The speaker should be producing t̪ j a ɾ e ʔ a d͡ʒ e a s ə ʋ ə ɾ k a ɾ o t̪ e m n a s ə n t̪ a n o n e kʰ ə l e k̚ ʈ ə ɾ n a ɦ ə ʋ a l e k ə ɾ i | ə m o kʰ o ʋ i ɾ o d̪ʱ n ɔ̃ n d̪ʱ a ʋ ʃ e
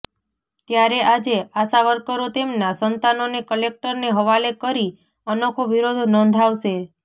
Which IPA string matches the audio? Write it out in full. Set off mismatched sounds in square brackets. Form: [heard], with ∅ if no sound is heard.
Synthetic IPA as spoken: t̪ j a ɾ e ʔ a d͡ʒ e a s [a] ʋ ə ɾ k [ə] ɾ o t̪ e m n a s ə n t̪ a n o n e [k] ə l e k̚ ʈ ə ɾ n [e] ɦ ə ʋ a l e k ə ɾ i | ə [n] o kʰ o ʋ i ɾ o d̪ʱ n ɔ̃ n d̪ʱ a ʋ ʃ e